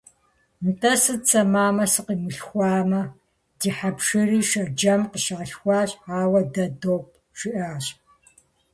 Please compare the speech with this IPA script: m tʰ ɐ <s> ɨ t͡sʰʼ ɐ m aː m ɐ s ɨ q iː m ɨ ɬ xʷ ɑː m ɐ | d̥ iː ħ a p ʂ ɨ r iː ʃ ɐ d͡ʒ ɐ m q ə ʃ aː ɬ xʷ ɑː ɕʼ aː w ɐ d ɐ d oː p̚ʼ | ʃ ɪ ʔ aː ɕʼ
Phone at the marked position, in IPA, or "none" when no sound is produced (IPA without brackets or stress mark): s